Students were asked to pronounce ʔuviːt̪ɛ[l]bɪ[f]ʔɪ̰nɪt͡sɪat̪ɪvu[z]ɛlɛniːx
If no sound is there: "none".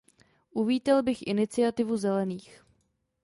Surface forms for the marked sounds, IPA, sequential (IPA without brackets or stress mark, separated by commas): l, x, z